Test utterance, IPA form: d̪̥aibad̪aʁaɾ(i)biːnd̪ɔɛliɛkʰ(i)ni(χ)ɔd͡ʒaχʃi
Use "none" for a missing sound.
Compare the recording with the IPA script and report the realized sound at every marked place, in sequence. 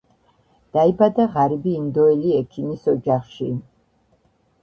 i, i, s

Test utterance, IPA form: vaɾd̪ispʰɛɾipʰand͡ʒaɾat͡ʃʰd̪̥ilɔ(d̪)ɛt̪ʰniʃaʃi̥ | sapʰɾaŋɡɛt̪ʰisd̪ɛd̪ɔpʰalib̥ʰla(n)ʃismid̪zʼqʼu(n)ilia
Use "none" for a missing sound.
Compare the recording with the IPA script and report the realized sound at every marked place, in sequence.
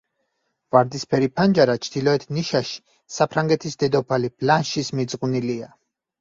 none, n, n

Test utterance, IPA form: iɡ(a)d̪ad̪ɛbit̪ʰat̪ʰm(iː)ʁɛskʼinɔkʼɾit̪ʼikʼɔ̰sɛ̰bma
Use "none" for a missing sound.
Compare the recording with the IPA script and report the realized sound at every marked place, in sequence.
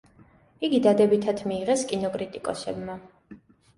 i, iː

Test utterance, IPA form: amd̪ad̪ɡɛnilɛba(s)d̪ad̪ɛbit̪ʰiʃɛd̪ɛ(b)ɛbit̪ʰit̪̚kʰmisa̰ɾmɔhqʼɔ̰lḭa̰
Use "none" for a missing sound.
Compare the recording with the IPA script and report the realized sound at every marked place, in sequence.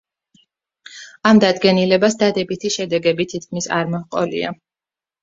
s, ɡ

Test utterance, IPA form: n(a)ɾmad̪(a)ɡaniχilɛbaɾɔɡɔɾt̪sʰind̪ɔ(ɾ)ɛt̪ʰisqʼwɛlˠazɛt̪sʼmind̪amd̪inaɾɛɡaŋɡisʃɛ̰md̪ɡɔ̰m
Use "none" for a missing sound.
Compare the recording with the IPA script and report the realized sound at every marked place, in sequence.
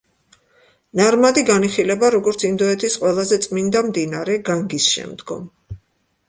a, i, none

